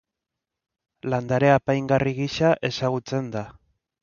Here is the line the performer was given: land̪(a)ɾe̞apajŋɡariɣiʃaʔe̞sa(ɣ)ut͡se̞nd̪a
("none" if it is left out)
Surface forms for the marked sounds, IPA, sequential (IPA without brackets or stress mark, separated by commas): a, ɣ